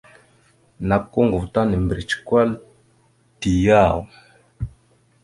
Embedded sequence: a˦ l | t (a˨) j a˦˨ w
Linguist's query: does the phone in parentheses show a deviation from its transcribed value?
yes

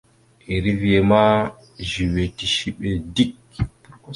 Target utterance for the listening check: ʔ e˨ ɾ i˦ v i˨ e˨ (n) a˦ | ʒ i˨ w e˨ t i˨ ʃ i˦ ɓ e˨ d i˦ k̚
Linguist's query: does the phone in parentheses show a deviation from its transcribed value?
yes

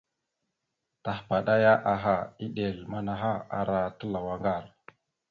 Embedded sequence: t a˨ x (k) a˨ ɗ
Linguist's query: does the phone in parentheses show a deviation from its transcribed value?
yes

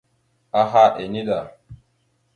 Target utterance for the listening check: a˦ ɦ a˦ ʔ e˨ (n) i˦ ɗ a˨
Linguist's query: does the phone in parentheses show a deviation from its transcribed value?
no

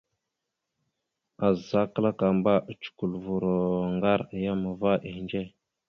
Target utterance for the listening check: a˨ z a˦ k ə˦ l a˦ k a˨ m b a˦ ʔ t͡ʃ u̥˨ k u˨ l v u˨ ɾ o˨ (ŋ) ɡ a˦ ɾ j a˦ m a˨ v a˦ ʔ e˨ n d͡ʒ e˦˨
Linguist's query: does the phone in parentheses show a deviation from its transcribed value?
no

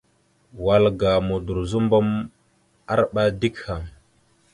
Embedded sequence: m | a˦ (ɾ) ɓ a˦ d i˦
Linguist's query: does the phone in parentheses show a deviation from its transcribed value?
no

